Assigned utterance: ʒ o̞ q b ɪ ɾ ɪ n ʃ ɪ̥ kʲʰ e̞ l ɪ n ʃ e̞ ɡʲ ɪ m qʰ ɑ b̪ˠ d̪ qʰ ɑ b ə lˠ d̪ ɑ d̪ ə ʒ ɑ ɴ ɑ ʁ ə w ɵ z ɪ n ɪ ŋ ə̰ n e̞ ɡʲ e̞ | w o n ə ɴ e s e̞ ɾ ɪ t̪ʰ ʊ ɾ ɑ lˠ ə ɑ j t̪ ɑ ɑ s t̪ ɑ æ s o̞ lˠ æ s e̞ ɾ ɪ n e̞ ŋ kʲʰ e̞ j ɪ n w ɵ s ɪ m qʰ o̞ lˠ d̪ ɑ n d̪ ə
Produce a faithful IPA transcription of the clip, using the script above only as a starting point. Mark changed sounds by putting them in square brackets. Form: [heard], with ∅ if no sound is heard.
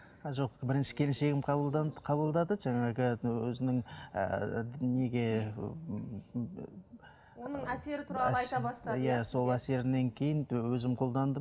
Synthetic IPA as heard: ʒ o̞ q b ɪ ɾ ɪ n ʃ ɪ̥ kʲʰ e̞ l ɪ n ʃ e̞ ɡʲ ɪ m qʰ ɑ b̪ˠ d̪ qʰ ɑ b ə lˠ d̪ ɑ d̪ ə ʒ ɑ ɴ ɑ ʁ ə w ɵ z ɪ n ɪ ŋ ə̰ n e̞ ɡʲ e̞ | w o n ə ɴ [æ] s e̞ ɾ ɪ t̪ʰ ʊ ɾ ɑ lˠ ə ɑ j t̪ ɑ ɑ s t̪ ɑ æ s o̞ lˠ æ s e̞ ɾ ɪ n e̞ ŋ kʲʰ e̞ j ɪ n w ɵ [z] ɪ m qʰ o̞ lˠ d̪ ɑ n d̪ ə